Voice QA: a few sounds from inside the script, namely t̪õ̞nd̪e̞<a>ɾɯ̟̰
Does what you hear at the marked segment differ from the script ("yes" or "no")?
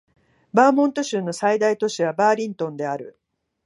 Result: no